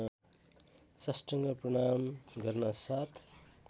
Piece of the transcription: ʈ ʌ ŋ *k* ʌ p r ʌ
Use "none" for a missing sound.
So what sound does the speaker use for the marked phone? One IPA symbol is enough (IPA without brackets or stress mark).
ɡ